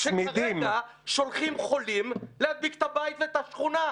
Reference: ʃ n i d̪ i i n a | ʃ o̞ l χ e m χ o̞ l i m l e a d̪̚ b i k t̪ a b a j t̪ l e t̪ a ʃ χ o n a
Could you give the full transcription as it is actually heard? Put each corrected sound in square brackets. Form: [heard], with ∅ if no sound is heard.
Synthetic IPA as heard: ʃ [m] i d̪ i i [m] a | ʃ o̞ l χ [i] m χ o̞ l i m l e a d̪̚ b i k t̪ a b a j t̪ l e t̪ a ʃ χ [u] n a